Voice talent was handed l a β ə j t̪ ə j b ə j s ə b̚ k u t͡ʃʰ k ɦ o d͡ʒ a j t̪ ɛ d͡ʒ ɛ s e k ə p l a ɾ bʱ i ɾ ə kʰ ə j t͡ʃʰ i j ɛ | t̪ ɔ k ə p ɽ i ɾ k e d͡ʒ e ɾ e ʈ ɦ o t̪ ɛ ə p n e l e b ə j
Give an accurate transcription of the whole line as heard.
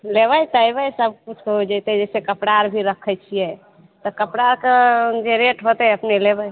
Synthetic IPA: l e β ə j t̪ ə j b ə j s ə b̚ k u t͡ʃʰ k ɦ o d͡ʒ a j t̪ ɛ d͡ʒ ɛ s e k ə p ɽ a ɾ bʱ i ɾ ə kʰ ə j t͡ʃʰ i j ɛ | t̪ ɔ k ə p ɽ a ɾ k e d͡ʒ e ɾ e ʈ ɦ o t̪ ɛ ə p n e l e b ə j